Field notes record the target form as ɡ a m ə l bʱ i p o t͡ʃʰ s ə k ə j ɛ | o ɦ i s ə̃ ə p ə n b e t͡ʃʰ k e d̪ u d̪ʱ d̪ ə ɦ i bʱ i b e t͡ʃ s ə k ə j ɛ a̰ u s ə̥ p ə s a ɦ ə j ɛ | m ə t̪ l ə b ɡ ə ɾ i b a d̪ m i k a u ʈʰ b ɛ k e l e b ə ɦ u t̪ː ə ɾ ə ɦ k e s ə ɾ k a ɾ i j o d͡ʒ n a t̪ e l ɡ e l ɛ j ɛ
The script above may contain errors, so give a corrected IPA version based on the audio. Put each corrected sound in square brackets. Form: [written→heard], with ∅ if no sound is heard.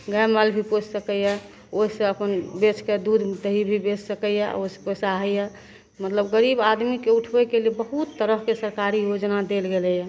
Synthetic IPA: ɡ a m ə l bʱ i p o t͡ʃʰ s ə k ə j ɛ | o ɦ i s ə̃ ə p ə n b e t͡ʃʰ k e d̪ u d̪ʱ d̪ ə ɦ i bʱ i b e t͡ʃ s ə k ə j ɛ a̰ [u→o] s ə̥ p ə s a ɦ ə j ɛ | m ə t̪ l ə b ɡ ə ɾ i b a d̪ m i k [a→e] u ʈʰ b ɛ k e l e b ə ɦ u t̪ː ə ɾ ə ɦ k e s ə ɾ k a ɾ i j o d͡ʒ n a [t̪→d̪] e l ɡ e l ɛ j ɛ